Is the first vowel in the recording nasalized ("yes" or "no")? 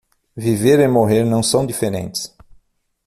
no